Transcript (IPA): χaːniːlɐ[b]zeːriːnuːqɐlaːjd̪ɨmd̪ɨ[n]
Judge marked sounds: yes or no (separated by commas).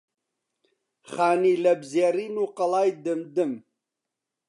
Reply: yes, no